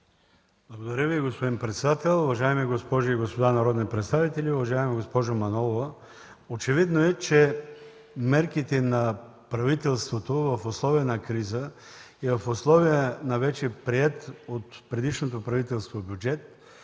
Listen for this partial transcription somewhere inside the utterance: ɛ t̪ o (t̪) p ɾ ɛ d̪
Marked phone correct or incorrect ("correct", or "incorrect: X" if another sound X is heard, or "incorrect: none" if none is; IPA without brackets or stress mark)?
correct